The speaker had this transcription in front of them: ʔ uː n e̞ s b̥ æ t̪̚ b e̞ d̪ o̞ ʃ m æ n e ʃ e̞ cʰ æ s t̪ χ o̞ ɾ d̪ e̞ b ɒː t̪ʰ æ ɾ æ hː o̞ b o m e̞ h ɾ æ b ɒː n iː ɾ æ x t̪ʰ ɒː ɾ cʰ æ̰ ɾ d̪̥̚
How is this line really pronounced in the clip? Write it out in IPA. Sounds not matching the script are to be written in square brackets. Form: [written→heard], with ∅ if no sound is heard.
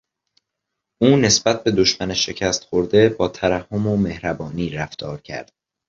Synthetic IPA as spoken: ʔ uː n e̞ s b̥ æ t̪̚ b e̞ d̪ o̞ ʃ m æ n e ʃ e̞ cʰ æ s t̪ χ o̞ ɾ d̪ e̞ b ɒː t̪ʰ æ ɾ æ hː o̞ [b→m] o m e̞ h ɾ æ b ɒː n iː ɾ æ [x→f] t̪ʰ ɒː ɾ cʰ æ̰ ɾ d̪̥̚